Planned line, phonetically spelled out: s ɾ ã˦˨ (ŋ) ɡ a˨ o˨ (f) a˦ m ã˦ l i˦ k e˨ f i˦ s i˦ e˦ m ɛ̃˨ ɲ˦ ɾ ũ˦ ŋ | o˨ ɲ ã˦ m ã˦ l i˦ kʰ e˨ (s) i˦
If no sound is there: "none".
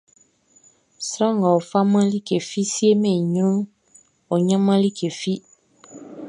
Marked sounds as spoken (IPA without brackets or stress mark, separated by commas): ŋ, f, f